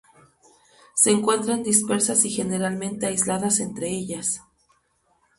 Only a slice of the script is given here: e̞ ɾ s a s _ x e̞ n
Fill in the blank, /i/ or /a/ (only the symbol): i